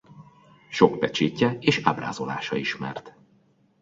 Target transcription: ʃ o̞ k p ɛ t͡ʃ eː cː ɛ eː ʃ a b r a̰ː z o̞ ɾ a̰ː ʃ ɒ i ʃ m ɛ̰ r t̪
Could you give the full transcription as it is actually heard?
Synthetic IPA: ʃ o̞ k p ɛ t͡ʃ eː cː ɛ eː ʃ a b r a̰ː z o̞ l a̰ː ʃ ɒ i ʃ m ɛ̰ r t̪